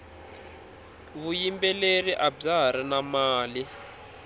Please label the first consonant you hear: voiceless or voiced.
voiced